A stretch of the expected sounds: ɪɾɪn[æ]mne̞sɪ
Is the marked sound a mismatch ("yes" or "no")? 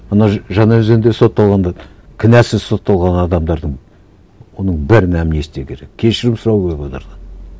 no